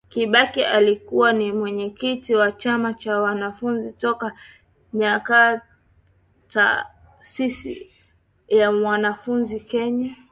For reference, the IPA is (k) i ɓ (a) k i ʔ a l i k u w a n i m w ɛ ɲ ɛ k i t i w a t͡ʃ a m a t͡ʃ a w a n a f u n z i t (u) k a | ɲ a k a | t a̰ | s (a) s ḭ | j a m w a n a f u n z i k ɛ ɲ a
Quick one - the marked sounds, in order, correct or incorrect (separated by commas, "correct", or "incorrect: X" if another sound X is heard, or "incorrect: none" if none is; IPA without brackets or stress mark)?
correct, correct, incorrect: ɔ, incorrect: i